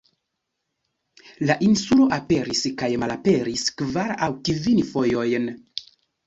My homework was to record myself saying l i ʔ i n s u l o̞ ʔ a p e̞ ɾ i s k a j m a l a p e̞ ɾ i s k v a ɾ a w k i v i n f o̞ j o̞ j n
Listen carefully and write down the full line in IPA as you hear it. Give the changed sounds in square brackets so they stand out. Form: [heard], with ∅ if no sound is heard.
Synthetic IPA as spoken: l [a] ʔ i n s u l o̞ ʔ a p e̞ ɾ i s k a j m a l a p e̞ ɾ i s k v a ɾ a w k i v i n f o̞ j o̞ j n